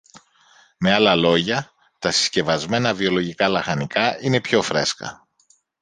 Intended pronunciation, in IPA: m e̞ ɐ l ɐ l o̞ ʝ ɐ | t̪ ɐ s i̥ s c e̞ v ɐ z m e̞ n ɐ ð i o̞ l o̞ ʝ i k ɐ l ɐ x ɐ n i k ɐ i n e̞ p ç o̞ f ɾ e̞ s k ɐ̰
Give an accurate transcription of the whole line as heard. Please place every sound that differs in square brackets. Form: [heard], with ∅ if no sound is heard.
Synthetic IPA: m e̞ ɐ l ɐ l o̞ ʝ ɐ | t̪ ɐ s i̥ s c e̞ v ɐ z m e̞ n ɐ [v] i o̞ l o̞ ʝ i k ɐ l ɐ x ɐ n i k ɐ i n e̞ p ç o̞ f ɾ e̞ s k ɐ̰